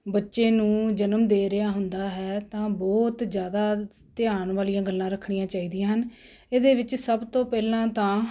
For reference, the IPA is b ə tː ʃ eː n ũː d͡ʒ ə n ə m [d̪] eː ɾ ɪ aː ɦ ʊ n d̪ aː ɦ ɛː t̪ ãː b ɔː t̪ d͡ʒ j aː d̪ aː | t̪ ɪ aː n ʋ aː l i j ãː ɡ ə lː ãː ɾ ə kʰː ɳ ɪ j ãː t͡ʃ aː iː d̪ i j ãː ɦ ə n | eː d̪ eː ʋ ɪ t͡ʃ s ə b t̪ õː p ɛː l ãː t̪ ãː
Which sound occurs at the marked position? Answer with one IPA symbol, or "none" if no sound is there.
d̪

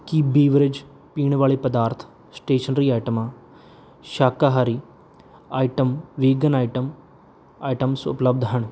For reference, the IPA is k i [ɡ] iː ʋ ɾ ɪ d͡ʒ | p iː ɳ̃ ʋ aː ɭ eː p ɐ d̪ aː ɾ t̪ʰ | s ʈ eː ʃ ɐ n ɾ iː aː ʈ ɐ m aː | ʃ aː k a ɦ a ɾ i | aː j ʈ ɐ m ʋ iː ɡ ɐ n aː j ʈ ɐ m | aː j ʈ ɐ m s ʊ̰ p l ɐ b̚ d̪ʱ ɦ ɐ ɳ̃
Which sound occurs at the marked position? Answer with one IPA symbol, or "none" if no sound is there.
b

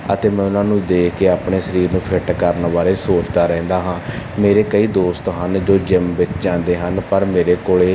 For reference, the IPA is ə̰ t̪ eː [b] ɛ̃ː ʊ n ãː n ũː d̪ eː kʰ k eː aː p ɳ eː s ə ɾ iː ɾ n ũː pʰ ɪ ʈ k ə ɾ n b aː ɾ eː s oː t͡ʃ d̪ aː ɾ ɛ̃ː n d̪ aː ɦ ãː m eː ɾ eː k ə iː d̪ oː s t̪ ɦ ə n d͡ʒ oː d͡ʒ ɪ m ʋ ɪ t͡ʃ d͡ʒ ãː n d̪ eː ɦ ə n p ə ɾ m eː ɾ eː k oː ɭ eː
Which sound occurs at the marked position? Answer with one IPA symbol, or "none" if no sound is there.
m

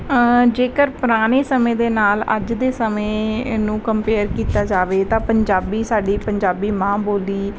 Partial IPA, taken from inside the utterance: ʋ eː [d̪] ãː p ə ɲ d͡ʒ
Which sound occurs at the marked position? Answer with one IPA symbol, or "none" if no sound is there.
t̪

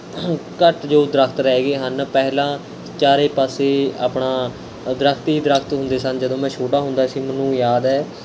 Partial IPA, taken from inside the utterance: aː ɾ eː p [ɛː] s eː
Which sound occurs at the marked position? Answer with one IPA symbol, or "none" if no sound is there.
aː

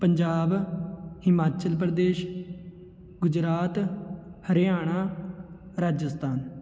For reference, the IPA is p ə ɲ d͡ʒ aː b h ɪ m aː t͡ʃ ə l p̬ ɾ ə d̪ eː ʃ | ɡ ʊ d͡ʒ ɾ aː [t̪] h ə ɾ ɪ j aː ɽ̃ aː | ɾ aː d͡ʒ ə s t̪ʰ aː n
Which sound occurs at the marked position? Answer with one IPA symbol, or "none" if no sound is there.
t̪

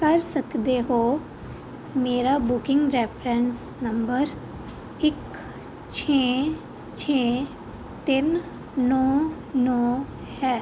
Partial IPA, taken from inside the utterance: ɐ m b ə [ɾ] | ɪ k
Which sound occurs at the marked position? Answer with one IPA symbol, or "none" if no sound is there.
ɾ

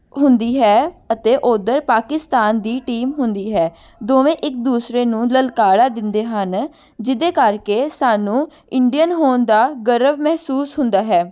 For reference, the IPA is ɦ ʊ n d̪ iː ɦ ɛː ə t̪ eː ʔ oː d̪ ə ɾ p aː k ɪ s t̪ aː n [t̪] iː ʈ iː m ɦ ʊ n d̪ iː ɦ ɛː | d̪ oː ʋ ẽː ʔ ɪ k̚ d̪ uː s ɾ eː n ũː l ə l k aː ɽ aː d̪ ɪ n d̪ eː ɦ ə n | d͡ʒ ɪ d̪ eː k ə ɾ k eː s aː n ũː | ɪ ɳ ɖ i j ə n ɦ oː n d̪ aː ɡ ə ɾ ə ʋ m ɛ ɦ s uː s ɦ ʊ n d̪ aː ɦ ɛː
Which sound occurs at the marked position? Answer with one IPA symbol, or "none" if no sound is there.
d̪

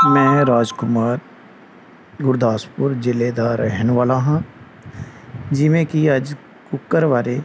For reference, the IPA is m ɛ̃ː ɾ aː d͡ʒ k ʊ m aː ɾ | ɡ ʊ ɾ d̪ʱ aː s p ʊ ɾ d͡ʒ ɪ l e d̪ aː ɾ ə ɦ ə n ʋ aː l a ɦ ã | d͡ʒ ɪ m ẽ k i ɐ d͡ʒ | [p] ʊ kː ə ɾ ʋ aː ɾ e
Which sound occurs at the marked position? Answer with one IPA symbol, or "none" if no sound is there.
k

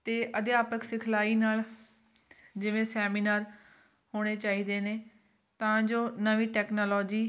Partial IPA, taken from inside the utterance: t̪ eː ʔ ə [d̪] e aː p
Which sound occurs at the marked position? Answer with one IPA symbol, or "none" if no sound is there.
d̪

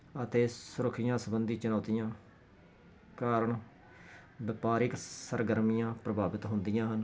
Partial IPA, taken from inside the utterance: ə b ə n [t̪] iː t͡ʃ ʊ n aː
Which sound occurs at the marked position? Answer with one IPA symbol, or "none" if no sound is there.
d̪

